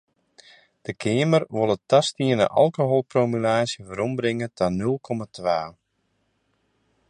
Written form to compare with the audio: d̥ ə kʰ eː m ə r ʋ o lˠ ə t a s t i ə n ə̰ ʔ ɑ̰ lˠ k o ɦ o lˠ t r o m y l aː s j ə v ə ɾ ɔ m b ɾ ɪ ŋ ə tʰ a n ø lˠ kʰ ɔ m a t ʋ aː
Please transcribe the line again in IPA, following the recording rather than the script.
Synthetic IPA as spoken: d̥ ə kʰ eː m ə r ʋ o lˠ ə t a s t i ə n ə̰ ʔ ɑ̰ lˠ k o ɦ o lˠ p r o m y l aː s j ə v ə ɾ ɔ m b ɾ ɪ ŋ ə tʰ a n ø lˠ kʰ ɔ m a t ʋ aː